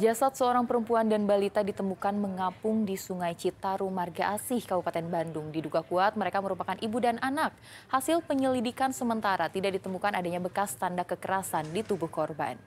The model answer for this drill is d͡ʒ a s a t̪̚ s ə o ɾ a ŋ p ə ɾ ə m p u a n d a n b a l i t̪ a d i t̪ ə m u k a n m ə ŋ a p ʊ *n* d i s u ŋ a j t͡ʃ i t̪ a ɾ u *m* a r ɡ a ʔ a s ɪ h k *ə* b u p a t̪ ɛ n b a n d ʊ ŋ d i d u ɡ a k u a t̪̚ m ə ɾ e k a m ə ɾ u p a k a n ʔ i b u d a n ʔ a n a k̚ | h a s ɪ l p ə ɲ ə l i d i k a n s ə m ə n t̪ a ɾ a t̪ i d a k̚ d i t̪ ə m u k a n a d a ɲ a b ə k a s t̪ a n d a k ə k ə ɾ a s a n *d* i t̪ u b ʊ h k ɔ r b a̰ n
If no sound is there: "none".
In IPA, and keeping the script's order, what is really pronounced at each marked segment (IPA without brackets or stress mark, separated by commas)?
ŋ, m, a, d